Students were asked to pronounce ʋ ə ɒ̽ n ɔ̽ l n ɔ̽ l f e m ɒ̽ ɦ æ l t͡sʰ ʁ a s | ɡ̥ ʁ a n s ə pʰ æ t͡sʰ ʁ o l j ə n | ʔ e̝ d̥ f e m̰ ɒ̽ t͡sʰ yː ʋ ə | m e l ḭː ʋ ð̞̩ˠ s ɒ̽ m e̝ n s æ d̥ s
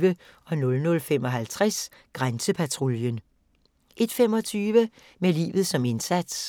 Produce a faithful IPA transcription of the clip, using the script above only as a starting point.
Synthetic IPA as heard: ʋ ə ɒ̽ n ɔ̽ l n ɔ̽ l f e m ɒ̽ ɦ æ l t͡sʰ ʁ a s | ɡ̥ ʁ a n s ə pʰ æ t͡sʰ ʁ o l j ə n | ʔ e̝ d̥ f e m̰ ɒ̽ t͡sʰ yː ʋ ə | m e l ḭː ʋ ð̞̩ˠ s ɒ̽ m e̝ n s æ d̥ s